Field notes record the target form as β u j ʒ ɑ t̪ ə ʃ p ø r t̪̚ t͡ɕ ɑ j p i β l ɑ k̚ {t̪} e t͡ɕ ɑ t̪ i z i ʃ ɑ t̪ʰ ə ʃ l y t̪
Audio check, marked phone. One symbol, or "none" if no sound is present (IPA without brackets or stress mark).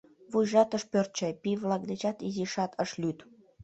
d̪